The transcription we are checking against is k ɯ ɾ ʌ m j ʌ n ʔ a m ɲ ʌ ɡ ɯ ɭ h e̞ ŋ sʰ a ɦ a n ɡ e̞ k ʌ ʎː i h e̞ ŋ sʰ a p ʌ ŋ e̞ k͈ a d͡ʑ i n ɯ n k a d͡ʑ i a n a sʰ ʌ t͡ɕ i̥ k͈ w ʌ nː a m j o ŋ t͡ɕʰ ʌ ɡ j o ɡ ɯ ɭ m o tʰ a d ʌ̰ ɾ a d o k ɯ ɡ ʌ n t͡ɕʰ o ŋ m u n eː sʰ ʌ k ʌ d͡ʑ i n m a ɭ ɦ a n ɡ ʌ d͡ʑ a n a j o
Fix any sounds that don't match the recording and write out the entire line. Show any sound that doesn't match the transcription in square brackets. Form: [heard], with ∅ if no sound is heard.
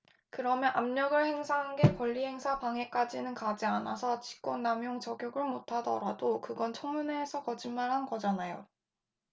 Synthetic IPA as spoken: k ɯ ɾ ʌ m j ʌ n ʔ a m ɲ ʌ ɡ ɯ ɭ h e̞ ŋ sʰ a ɦ a n ɡ e̞ k ʌ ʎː i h e̞ ŋ sʰ a p [a] ŋ e̞ k͈ a d͡ʑ i n ɯ n k a d͡ʑ i a n a sʰ ʌ t͡ɕ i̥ k͈ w ʌ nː a m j o ŋ [t͡ɕ] ʌ ɡ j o ɡ ɯ ɭ m o tʰ a d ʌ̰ ɾ a d o k ɯ ɡ ʌ n t͡ɕʰ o ŋ m u n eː sʰ ʌ k ʌ d͡ʑ i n m a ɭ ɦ a n ɡ ʌ d͡ʑ a n a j o